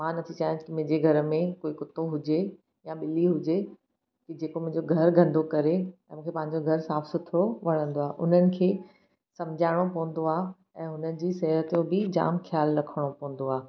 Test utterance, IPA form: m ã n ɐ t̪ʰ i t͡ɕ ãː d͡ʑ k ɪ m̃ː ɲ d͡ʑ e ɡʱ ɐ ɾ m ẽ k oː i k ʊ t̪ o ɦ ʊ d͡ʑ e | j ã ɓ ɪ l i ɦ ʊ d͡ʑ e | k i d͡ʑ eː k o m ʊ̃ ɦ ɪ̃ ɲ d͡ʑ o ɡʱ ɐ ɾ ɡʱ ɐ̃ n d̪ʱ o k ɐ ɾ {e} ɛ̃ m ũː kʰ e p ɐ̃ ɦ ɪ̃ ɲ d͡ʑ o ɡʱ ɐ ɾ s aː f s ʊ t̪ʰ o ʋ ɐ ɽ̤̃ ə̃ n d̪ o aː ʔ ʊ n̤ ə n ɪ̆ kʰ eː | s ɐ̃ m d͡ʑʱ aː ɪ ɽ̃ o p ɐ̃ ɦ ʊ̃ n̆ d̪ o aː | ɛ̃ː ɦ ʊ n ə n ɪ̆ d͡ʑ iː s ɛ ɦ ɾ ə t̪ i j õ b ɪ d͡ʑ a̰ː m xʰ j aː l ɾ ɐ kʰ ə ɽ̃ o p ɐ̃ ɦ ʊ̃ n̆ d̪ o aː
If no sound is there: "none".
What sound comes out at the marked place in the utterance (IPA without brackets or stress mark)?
e